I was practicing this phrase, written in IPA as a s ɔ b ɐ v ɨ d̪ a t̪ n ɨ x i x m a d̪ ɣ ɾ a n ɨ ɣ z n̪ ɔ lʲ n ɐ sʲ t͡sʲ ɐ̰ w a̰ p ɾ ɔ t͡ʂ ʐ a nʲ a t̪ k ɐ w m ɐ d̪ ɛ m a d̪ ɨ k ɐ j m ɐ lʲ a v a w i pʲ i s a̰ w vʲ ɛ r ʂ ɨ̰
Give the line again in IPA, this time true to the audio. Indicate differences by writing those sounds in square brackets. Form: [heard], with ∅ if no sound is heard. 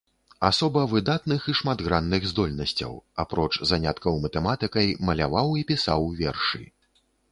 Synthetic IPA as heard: a s ɔ b ɐ v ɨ d̪ a t̪ n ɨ x i [ʂ] m a d̪ ɣ ɾ a [nː] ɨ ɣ z [d̪] ɔ lʲ n ɐ sʲ t͡sʲ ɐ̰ w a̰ p ɾ ɔ t͡ʂ [z] a nʲ a t̪ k ɐ w m ɐ [t̪] ɛ m a [t̪] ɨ k ɐ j m ɐ lʲ a v a w i pʲ i s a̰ w vʲ ɛ r ʂ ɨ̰